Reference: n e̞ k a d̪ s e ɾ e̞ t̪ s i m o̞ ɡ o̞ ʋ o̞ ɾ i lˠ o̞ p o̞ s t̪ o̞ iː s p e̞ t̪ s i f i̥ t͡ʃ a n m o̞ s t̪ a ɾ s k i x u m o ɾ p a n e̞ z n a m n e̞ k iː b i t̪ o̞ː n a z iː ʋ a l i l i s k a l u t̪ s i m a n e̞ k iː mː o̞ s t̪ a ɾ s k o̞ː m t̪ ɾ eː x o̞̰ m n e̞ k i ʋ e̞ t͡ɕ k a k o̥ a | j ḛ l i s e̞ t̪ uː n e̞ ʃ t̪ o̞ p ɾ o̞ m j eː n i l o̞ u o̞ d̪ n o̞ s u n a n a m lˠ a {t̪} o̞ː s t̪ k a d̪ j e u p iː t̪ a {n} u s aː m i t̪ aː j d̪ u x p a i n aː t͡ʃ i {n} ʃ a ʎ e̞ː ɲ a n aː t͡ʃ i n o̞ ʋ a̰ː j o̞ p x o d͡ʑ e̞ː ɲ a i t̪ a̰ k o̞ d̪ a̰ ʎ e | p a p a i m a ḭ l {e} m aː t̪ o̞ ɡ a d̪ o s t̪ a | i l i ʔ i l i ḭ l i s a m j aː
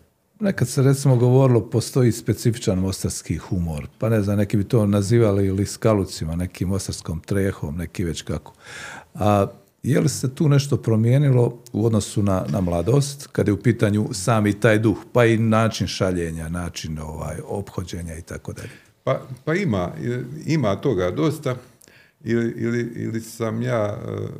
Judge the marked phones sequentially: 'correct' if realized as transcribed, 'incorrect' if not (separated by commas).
incorrect, incorrect, correct, incorrect